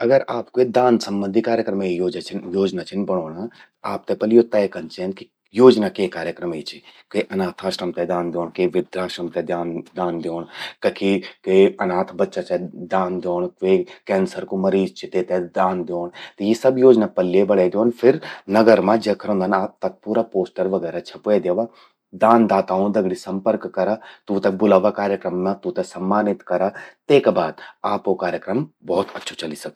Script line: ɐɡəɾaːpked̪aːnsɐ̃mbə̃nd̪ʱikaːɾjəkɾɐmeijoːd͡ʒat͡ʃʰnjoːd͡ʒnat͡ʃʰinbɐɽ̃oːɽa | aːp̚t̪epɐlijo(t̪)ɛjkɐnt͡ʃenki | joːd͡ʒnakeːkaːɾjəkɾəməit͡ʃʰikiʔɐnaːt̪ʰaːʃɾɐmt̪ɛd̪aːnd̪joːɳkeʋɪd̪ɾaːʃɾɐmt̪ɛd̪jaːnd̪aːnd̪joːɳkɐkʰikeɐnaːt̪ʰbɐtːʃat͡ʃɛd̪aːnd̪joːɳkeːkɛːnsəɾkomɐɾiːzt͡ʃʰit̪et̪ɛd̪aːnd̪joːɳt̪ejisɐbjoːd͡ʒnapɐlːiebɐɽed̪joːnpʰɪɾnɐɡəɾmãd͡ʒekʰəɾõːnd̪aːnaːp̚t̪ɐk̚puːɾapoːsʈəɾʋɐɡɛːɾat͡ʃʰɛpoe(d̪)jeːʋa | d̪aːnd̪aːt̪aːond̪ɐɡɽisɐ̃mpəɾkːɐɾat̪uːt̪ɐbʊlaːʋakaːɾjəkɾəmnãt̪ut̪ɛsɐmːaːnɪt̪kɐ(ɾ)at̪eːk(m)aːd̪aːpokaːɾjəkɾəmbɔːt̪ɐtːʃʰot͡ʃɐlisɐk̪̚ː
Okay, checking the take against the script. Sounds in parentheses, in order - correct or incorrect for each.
correct, correct, correct, incorrect

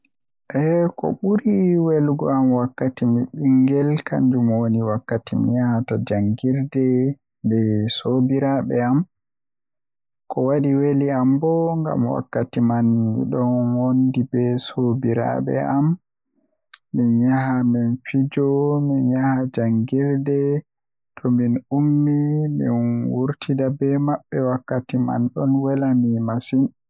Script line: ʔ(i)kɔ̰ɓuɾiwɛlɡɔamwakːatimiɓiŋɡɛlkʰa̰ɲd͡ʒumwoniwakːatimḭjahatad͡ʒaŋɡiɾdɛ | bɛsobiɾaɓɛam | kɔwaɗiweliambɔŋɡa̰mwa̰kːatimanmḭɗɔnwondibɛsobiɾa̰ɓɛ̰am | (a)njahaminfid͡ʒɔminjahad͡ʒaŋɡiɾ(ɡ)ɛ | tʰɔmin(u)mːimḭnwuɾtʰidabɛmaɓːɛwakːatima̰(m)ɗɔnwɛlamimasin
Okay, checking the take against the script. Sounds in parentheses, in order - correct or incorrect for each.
incorrect, incorrect, incorrect, correct, incorrect

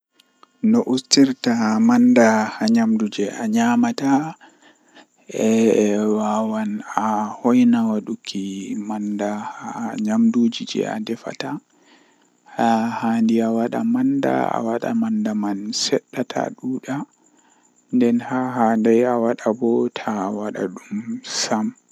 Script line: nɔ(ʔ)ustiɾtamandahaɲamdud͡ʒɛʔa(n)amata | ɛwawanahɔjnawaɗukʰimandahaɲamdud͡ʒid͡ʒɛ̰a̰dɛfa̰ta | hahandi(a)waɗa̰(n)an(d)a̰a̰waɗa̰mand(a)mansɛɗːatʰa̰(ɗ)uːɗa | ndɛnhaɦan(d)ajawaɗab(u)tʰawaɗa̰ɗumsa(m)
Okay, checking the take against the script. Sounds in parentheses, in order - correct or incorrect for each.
correct, incorrect, correct, incorrect, correct, correct, correct, correct, incorrect, correct

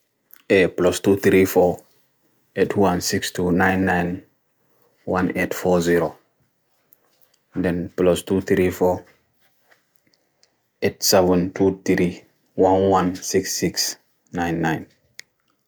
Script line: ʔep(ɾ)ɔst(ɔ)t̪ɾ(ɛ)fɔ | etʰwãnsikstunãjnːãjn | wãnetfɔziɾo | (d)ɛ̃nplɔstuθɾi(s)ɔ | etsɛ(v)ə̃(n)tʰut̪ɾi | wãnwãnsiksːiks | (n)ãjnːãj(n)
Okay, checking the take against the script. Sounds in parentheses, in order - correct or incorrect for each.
incorrect, incorrect, incorrect, correct, incorrect, correct, correct, correct, correct

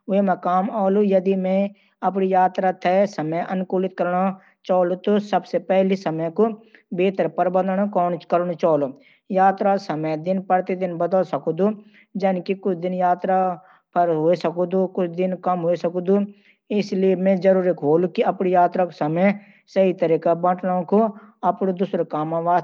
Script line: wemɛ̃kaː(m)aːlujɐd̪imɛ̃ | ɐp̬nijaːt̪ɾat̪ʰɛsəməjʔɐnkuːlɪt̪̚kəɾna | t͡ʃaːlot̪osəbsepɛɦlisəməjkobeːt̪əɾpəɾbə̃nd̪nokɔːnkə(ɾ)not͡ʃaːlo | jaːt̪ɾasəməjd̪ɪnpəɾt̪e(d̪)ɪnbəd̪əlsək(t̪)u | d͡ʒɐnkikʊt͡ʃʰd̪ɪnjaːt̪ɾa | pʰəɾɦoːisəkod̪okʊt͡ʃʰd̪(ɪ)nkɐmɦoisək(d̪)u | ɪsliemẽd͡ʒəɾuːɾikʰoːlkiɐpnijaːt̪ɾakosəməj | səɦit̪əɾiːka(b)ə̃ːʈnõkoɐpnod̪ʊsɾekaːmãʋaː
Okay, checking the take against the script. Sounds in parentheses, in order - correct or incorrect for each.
correct, correct, correct, incorrect, correct, correct, correct

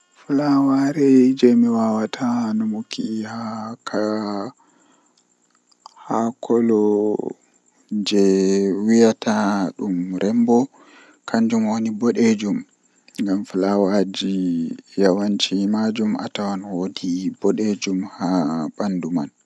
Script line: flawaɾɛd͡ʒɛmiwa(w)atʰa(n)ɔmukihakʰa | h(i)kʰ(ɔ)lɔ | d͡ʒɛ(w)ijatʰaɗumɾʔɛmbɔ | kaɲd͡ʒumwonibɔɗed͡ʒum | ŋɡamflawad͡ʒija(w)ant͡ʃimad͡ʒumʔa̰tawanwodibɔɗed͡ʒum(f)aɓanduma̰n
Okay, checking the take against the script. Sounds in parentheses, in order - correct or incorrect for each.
correct, correct, incorrect, correct, correct, correct, incorrect

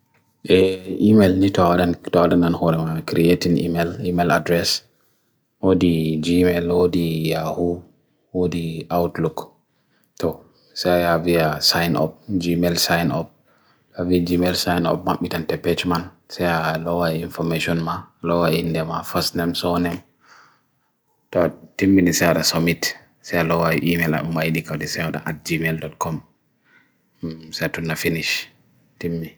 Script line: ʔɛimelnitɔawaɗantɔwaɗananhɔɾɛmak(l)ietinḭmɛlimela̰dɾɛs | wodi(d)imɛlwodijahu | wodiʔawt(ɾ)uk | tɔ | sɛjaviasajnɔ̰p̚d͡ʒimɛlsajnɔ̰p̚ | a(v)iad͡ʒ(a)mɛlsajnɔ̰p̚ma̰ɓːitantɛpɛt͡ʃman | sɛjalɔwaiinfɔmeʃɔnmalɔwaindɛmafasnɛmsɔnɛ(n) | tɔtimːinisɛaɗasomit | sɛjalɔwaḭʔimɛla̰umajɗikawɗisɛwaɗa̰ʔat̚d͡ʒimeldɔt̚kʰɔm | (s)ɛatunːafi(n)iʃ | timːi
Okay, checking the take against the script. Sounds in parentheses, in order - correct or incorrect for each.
incorrect, incorrect, incorrect, correct, incorrect, incorrect, correct, correct

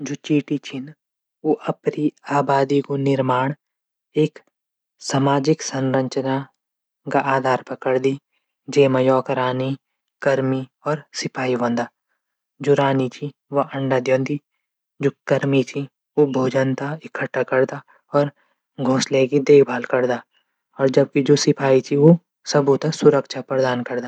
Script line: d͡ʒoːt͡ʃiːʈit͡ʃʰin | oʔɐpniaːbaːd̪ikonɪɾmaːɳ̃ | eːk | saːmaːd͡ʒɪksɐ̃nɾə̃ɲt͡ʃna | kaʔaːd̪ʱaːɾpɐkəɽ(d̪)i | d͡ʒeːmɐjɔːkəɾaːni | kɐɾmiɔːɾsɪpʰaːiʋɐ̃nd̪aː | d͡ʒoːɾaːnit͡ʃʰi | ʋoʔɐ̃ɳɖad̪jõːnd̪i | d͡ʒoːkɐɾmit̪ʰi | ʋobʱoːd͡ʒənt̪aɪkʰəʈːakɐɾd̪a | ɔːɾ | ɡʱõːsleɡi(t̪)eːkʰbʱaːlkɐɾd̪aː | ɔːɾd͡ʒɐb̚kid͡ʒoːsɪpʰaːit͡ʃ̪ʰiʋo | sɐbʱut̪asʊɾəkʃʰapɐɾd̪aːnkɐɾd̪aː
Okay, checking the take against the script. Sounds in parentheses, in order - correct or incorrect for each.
correct, incorrect

